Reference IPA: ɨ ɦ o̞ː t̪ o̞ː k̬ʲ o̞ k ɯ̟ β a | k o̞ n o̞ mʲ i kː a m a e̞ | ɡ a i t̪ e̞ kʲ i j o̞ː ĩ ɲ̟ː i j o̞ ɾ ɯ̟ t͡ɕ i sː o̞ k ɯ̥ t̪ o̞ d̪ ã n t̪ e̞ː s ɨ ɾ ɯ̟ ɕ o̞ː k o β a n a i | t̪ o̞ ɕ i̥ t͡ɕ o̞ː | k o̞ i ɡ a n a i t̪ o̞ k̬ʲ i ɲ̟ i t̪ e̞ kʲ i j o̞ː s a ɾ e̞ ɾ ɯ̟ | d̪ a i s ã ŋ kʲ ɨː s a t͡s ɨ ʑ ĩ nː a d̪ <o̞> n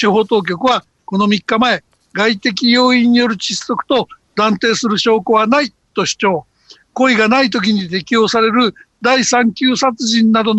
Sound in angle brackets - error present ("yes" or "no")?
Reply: no